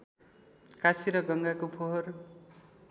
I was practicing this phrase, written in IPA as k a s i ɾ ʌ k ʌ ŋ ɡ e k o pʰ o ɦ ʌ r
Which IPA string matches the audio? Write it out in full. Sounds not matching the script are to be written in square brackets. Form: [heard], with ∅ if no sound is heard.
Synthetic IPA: k a s i ɾ ʌ [ɡ] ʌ ŋ ɡ [a] k o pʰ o ɦ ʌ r